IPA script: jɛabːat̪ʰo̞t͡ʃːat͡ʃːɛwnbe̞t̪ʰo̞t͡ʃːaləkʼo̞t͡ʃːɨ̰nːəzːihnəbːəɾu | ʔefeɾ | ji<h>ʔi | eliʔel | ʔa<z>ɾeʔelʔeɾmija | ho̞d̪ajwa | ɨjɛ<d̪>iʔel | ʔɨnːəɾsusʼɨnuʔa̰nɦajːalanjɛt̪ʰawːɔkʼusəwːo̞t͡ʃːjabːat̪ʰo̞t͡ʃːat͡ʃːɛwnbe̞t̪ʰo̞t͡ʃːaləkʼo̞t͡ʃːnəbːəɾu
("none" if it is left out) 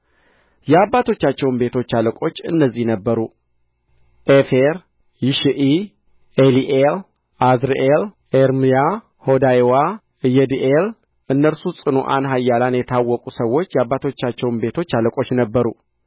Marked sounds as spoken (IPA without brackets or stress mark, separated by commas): ʃ, z, d̪